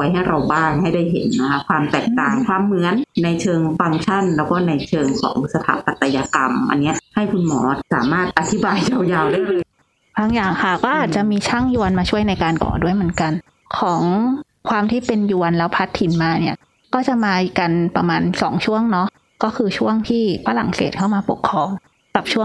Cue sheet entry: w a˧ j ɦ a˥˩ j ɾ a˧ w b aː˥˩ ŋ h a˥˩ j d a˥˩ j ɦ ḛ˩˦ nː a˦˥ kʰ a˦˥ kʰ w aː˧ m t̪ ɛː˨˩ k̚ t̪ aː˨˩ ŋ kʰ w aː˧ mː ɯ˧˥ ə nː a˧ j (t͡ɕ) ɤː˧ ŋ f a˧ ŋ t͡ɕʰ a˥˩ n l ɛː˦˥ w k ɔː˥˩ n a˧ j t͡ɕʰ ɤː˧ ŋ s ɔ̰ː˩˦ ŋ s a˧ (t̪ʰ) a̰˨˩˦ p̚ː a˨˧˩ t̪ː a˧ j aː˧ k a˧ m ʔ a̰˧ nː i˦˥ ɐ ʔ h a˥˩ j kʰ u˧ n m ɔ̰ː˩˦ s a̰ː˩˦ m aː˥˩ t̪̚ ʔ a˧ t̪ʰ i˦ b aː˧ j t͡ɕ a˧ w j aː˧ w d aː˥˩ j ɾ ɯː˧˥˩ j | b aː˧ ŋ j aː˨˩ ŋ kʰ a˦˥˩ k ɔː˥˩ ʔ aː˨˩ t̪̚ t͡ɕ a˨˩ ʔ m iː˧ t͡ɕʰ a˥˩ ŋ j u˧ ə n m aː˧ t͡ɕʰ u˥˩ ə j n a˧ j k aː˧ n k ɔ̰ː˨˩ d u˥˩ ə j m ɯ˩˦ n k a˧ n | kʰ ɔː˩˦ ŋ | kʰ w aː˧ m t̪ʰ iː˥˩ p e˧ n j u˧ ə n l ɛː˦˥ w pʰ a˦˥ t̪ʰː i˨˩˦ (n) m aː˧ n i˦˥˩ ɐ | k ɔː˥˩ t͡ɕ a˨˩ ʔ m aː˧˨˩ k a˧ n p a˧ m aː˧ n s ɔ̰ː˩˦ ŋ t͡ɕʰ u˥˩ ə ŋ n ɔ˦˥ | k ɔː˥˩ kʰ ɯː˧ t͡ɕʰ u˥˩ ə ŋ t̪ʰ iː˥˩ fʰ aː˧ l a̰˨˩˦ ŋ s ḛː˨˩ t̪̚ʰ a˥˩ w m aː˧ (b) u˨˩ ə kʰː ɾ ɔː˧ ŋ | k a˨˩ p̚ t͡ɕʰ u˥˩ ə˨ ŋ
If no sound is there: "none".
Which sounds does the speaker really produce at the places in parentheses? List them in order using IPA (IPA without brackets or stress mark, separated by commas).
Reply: t͡ɕʰ, t̪ʰ, n, p